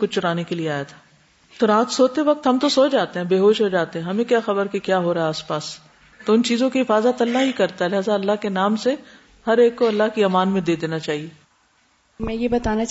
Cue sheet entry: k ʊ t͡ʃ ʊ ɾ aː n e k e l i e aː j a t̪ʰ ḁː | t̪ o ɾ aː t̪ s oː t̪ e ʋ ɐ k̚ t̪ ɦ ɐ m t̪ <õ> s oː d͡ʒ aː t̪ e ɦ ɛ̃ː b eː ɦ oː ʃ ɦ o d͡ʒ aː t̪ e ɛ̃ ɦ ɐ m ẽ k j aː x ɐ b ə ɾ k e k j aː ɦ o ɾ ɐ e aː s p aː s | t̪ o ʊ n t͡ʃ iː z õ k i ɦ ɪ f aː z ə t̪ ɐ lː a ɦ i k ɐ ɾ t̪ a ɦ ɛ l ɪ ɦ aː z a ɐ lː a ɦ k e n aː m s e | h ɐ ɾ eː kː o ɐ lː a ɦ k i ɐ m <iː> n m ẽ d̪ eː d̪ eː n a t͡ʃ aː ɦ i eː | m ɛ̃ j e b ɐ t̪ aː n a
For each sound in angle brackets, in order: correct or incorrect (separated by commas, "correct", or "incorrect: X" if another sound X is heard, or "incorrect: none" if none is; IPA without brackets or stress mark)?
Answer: incorrect: o, incorrect: aː